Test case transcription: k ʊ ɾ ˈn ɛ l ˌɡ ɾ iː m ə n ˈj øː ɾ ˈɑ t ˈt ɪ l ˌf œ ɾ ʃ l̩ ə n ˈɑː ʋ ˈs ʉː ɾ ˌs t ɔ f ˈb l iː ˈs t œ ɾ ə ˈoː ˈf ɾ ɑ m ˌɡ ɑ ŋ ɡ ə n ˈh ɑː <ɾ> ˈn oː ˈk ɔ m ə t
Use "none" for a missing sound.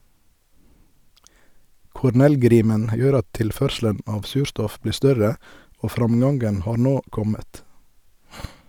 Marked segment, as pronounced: ɾ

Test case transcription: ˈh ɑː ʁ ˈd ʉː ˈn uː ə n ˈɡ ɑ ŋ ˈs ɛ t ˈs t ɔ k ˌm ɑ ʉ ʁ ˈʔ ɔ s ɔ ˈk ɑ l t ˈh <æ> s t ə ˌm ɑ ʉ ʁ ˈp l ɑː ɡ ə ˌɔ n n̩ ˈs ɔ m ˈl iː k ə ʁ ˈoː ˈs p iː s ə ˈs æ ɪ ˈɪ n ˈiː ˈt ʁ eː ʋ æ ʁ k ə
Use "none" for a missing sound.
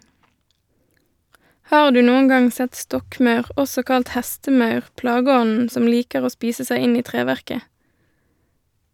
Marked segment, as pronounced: æ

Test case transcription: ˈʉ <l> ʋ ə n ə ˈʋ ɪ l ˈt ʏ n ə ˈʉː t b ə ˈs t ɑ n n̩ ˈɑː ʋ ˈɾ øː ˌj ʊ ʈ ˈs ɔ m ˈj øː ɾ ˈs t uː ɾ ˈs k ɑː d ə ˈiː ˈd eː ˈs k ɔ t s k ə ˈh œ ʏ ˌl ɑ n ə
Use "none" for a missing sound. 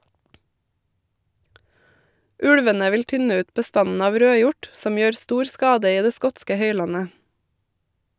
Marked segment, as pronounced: ɽ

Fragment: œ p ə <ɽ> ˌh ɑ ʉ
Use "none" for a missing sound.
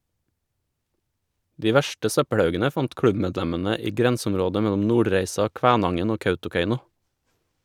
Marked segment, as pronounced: ɽ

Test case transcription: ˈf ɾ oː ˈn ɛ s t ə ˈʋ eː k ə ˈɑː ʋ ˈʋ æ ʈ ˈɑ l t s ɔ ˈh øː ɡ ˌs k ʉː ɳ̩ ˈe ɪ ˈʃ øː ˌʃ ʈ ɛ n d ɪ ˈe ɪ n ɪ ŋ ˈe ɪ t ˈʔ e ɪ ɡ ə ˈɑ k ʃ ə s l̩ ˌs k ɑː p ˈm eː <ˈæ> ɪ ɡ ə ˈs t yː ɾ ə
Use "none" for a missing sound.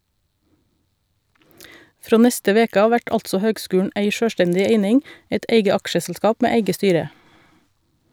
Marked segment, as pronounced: e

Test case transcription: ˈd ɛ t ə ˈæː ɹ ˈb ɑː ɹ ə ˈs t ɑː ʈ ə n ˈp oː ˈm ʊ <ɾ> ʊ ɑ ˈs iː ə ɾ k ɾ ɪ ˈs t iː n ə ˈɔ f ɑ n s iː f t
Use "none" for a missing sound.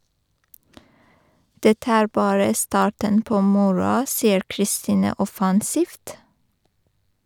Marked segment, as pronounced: ɹ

